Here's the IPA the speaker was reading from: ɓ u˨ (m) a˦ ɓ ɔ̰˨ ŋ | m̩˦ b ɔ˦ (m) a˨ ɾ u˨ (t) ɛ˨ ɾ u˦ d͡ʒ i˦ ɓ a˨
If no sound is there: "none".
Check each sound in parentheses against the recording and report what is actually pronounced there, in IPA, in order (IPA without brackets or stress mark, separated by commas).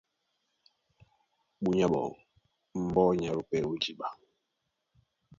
ɲ, ɲ, p